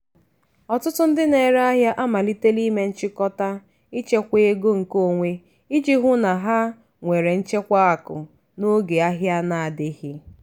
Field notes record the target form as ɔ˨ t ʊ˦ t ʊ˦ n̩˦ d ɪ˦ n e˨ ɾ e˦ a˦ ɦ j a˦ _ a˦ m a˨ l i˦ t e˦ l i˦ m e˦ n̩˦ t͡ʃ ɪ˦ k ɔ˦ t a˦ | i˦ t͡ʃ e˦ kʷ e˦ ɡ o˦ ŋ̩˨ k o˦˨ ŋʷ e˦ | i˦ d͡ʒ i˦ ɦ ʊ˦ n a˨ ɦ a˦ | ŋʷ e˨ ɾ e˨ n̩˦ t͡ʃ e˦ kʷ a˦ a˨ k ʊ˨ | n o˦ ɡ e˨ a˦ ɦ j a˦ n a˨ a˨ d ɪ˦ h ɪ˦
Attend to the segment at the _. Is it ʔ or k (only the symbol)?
ʔ